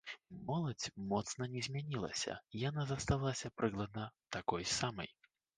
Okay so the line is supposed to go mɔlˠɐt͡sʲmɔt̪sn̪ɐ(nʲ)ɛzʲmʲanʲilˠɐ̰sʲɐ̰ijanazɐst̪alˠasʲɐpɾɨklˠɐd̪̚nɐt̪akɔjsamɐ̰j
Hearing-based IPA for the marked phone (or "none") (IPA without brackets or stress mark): nʲ